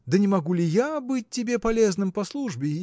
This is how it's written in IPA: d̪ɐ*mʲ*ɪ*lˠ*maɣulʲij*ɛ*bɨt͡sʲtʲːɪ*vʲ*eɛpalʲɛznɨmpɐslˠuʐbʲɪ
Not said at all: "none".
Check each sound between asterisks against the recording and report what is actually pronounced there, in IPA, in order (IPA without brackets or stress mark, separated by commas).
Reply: nʲ, none, a, bʲ